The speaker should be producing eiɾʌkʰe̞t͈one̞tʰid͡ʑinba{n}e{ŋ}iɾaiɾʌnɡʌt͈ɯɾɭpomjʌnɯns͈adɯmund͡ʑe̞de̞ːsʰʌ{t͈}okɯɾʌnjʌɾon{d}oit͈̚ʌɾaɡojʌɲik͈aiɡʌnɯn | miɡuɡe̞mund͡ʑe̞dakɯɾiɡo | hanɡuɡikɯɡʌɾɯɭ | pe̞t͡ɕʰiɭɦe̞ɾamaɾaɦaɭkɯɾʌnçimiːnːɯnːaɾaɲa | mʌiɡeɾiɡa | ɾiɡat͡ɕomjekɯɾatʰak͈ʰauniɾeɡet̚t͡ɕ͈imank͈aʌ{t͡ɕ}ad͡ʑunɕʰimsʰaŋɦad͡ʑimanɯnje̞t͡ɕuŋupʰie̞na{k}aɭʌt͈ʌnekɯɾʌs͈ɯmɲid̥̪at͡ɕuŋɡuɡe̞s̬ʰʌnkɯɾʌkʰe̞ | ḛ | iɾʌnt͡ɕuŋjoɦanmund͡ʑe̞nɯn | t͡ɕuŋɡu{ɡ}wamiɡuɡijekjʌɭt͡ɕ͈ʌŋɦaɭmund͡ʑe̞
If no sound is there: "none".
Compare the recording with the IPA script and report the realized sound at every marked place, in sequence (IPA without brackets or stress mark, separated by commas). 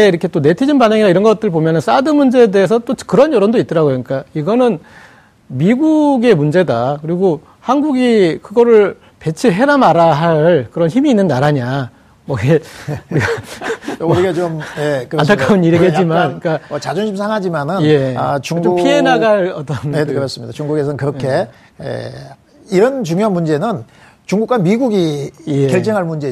n, ŋ, t͈, d, t͡ɕ, ɡ, k